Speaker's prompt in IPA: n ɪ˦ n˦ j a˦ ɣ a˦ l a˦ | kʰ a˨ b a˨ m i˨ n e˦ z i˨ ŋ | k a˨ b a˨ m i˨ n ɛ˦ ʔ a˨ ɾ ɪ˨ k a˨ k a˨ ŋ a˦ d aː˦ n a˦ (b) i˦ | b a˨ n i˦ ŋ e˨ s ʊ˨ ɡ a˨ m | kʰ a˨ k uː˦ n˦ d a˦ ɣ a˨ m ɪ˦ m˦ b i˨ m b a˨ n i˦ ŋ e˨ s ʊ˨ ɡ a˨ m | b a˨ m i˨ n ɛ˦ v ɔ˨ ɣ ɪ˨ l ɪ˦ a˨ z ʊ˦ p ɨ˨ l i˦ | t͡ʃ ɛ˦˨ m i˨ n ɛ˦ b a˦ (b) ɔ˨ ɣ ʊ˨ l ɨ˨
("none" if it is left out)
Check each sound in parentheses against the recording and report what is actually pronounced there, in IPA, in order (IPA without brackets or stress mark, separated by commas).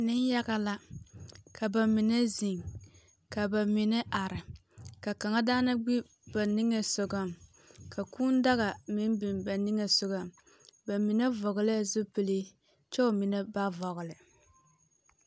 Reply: ɡ͡b, v